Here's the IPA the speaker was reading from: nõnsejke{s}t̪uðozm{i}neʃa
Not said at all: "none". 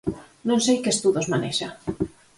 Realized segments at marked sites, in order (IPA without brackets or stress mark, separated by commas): s, a